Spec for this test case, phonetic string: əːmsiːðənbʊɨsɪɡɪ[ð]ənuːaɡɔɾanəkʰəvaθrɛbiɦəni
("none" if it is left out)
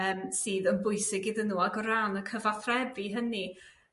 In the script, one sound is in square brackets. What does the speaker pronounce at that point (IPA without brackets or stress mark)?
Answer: ð